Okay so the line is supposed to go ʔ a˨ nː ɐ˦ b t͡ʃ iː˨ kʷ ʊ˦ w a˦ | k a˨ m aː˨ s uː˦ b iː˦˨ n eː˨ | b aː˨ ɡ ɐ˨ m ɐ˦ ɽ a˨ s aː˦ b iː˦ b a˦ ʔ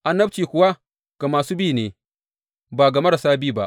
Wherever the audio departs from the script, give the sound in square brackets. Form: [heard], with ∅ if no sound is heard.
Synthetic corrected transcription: ʔ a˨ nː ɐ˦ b t͡ʃ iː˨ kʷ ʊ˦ w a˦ | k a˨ m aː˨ s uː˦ b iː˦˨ n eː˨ | b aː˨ ɡ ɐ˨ m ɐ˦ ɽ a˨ s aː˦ b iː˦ b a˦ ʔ